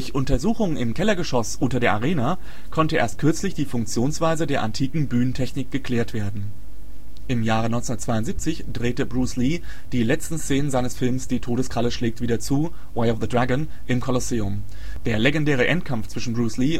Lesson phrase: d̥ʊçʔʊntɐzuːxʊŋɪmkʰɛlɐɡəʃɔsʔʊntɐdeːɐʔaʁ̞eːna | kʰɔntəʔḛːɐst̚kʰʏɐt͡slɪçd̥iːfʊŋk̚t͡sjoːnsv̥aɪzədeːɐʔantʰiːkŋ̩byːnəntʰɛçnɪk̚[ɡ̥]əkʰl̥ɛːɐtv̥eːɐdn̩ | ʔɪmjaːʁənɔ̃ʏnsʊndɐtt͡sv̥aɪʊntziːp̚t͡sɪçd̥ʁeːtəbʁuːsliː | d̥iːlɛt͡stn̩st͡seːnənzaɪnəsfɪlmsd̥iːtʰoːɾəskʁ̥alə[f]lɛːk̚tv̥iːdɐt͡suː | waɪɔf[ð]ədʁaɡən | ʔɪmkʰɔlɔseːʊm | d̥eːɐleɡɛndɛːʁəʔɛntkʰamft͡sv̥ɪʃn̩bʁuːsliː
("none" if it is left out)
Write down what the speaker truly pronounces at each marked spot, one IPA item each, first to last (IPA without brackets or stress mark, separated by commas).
ɡ̥, ʃ, ð